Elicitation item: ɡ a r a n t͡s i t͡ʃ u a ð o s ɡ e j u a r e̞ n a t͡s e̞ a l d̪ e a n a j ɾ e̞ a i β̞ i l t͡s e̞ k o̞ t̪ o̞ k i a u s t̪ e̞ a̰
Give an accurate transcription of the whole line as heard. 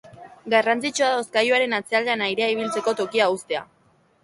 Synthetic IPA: ɡ a r a n t͡s i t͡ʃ u a ð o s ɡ a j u a ɾ e̞ n a t͡s e̞ a l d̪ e a n a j ɾ e̞ a i β̞ i l t͡s e̞ k o̞ t̪ o̞ k i a u s t̪ e̞ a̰